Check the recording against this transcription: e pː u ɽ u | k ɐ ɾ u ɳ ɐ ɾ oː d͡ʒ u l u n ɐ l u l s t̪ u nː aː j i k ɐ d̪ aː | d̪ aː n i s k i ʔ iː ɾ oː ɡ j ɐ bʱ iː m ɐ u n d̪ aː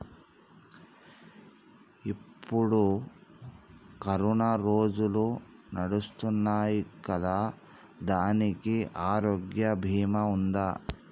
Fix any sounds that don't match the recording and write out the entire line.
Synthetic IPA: i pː u ɽ u | k ɐ ɾ u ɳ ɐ ɾ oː d͡ʒ u l u n ɐ ɽ u s t̪ u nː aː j i k ɐ d̪ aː | d̪ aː n i k i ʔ aː ɾ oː ɡ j ɐ bʱ iː m ɐ u n d̪ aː